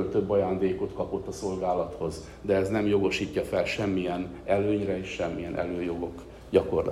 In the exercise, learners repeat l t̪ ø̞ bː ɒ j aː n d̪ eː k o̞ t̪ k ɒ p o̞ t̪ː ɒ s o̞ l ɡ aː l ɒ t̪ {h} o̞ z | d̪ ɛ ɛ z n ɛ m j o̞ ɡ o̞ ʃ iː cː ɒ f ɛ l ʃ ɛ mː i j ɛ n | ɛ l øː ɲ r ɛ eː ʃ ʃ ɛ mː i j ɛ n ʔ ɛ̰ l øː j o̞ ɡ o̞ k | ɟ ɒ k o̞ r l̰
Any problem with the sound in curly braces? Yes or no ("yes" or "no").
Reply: no